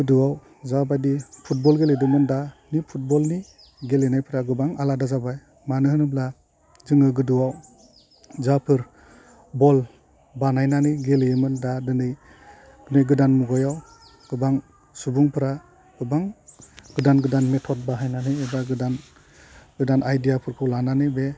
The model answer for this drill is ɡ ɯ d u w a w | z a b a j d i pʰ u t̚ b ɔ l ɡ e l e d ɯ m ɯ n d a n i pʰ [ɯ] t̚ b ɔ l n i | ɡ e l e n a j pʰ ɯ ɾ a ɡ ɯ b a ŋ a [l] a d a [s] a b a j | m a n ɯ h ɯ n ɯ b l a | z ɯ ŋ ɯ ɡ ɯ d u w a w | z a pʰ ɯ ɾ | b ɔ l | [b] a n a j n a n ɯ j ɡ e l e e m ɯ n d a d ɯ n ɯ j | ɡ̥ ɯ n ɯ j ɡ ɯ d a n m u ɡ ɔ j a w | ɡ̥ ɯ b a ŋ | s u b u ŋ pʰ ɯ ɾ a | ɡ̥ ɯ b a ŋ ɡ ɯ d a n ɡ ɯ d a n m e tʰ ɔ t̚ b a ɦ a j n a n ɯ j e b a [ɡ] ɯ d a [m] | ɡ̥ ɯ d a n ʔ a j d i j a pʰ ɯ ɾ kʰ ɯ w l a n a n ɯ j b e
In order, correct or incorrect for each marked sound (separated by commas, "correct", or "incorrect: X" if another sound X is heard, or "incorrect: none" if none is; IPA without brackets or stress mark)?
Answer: incorrect: u, correct, incorrect: z, correct, correct, incorrect: n